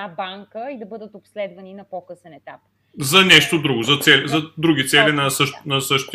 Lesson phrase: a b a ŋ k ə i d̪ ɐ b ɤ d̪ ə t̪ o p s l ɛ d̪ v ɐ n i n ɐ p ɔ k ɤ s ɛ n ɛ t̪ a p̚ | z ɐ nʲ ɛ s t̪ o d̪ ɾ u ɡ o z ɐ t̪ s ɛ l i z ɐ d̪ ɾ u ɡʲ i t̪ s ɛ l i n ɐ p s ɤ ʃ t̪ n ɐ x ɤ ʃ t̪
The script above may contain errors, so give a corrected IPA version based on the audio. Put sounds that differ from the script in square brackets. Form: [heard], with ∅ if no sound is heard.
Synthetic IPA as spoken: a b a ŋ k ə i d̪ ɐ b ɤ d̪ ə t̪ o p s l ɛ d̪ v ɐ n i n ɐ p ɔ k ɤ s ɛ n ɛ t̪ a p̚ | z ɐ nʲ ɛ [ʃ] t̪ o d̪ ɾ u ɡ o z ɐ t̪ s ɛ l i z ɐ d̪ ɾ u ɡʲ i t̪ s ɛ l i n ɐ [∅] s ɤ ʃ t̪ n ɐ [s] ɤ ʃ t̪